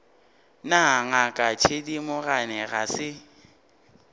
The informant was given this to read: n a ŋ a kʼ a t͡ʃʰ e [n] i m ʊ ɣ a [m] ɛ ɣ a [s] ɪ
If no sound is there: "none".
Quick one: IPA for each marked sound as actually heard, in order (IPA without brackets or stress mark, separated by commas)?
d, n, s